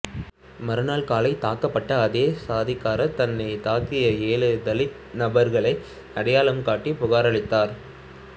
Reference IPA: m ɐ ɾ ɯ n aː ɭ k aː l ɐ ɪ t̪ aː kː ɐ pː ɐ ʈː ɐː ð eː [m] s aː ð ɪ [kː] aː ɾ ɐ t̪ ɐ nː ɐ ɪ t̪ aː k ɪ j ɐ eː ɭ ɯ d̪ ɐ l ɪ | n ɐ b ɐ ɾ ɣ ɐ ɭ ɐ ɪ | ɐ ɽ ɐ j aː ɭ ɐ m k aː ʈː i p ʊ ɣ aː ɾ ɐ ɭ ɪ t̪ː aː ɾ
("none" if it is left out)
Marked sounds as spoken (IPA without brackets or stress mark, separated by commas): none, kː